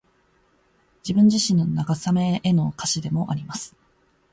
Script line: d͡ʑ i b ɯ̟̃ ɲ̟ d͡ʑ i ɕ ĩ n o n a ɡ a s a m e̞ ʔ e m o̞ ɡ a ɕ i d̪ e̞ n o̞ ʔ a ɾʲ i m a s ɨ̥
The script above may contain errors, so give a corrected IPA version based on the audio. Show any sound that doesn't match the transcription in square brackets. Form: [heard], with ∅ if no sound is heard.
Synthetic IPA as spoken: d͡ʑ i b ɯ̟̃ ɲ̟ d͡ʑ i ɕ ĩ n o n a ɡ a s a m e̞ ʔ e [n] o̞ [k] a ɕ i d̪ e̞ [m] o̞ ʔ a ɾʲ i m a s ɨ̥